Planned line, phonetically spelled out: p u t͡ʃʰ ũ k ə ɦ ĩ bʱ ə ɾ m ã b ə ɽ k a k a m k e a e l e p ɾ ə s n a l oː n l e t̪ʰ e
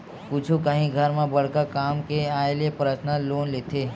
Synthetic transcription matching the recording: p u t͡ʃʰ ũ k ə ɦ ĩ ɡʱ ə ɾ m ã b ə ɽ k a k a m k e a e l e p ɾ ə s n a l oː n l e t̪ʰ e